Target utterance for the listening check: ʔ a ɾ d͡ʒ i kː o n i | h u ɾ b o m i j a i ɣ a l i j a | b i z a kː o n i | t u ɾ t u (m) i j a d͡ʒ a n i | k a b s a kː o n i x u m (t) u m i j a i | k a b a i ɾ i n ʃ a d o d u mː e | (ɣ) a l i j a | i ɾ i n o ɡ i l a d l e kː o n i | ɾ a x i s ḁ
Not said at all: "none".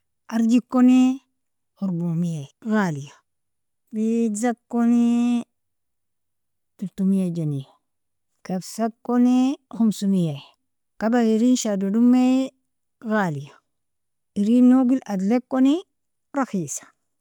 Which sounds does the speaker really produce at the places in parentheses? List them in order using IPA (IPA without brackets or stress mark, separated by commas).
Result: m, s, ɣ